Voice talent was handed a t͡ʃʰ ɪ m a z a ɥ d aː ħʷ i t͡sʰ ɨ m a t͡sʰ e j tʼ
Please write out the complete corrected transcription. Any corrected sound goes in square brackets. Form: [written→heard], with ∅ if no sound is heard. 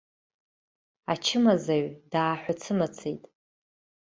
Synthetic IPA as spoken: a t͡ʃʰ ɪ m a z a ɥ d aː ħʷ [i→a] t͡sʰ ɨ m a t͡sʰ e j tʼ